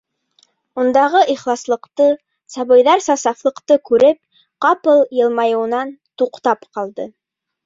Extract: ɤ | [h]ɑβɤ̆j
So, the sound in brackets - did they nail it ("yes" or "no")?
no